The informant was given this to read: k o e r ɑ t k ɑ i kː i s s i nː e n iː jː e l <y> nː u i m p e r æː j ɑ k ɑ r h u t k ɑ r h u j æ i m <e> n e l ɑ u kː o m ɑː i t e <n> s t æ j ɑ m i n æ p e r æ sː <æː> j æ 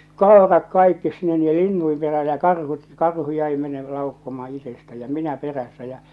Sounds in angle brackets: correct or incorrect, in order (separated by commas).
incorrect, correct, incorrect, incorrect